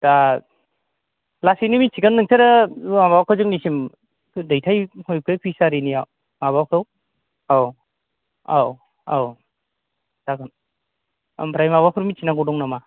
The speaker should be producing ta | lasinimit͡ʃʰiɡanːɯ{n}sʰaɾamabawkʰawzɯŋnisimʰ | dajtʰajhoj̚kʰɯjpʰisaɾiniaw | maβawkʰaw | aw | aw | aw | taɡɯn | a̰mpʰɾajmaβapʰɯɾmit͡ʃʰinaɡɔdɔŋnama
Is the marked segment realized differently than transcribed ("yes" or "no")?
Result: yes